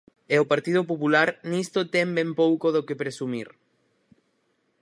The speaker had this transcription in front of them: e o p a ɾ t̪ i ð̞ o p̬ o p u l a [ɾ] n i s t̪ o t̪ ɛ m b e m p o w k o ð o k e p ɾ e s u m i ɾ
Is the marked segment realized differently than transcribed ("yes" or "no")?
no